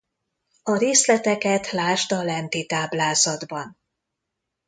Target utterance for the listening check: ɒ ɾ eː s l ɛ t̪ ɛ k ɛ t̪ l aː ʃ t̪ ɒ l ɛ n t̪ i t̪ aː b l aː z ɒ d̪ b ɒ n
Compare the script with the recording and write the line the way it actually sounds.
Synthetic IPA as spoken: ɒ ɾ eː s l ɛ t̪ ɛ k ɛ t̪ l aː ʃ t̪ ɒ l ɛ n t̪ i t̪ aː b l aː z ɒ d̪ b ɒ n